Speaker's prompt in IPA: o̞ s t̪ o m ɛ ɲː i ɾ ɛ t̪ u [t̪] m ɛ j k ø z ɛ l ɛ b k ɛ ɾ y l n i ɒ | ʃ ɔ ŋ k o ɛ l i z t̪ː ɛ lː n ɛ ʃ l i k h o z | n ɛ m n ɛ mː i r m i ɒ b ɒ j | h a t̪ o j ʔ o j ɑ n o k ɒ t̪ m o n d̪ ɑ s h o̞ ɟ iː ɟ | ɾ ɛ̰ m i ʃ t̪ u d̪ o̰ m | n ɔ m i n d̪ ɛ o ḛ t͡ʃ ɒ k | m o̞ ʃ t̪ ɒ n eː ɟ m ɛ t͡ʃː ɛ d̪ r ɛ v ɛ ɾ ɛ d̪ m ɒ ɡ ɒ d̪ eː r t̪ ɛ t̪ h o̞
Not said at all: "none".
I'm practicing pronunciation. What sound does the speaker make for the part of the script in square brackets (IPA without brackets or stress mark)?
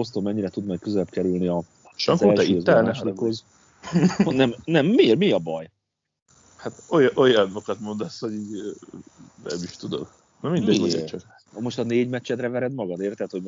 d̪